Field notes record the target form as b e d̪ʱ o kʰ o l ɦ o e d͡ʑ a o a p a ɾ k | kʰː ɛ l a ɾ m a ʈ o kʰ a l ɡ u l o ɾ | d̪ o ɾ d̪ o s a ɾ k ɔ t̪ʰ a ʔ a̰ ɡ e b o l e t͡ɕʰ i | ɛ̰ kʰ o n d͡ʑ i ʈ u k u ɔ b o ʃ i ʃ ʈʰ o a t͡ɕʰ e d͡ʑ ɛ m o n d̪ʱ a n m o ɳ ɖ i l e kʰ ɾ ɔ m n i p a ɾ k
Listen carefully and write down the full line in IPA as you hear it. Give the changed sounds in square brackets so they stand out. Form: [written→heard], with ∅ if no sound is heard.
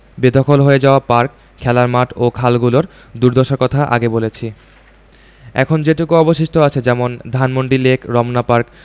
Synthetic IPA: b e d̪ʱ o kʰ o l ɦ o e d͡ʑ a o a p a ɾ k | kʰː ɛ l a ɾ m a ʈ o kʰ a l ɡ u l o ɾ | d̪ [o→u] ɾ d̪ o [s→ʃ] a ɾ k ɔ t̪ʰ a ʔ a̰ ɡ e b o l e t͡ɕʰ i | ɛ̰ kʰ o n d͡ʑ [i→e] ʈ u k u ɔ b o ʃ i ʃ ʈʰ o a t͡ɕʰ e d͡ʑ ɛ m o n d̪ʱ a n m o ɳ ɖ i l e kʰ ɾ ɔ m n [i→a] p a ɾ k